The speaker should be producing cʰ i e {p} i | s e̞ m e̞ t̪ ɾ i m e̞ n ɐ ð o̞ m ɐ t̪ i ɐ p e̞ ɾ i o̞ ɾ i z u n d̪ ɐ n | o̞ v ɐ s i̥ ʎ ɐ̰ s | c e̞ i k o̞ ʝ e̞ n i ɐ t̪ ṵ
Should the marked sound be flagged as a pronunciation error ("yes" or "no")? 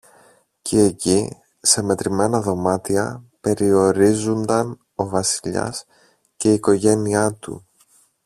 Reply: yes